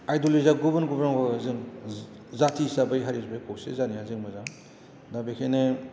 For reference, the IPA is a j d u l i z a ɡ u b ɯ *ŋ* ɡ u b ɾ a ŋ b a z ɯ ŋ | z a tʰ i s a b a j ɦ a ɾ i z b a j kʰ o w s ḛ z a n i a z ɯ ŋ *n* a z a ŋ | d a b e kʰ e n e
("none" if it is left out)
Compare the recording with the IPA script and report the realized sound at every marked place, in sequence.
n, m

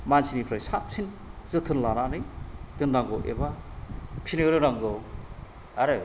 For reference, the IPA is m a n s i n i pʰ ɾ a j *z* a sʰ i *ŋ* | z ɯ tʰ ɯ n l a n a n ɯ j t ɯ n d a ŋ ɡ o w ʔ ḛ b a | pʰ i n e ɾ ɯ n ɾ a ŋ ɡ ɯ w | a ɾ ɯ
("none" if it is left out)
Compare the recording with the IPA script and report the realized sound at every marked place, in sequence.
s, n

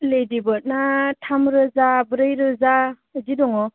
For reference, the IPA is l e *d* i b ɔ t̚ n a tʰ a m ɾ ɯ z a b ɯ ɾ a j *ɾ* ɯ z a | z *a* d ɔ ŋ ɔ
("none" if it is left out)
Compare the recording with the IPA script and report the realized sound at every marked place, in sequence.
d, ɾ, i

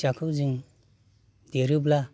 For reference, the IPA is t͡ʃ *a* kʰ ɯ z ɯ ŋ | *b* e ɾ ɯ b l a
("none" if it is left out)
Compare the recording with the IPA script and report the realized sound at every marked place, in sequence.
a, d

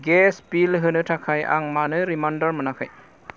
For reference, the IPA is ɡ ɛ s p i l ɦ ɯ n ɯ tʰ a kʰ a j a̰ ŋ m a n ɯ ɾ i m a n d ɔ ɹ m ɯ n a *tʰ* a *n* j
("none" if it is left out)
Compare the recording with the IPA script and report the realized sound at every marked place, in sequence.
kʰ, none

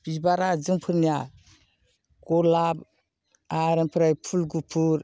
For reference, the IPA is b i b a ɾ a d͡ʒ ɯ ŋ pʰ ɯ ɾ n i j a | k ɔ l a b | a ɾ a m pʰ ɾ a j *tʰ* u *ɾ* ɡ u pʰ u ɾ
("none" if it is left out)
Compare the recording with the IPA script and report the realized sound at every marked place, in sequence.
pʰ, l

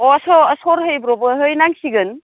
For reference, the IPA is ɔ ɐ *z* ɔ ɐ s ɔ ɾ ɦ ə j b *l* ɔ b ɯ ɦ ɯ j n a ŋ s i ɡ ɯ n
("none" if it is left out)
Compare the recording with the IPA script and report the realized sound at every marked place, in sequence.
s, ɾ

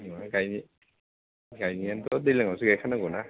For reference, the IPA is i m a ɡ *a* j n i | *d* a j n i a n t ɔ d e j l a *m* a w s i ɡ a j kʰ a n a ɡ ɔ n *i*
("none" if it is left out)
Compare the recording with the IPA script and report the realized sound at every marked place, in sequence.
a, ɡ, ŋ, a

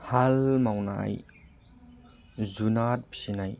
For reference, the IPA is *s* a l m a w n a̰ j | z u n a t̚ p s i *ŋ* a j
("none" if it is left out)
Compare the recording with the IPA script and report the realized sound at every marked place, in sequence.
h, n

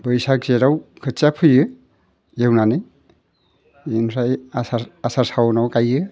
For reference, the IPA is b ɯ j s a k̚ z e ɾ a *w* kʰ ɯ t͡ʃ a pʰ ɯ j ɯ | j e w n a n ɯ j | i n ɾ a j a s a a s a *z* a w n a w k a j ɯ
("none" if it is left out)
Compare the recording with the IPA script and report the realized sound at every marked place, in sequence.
w, s

